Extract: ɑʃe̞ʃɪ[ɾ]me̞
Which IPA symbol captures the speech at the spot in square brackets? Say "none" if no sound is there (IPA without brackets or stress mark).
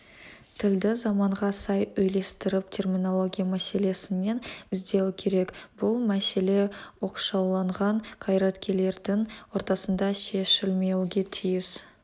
l